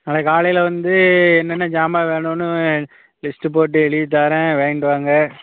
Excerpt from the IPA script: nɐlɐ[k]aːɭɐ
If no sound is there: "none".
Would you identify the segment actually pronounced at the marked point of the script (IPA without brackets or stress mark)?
k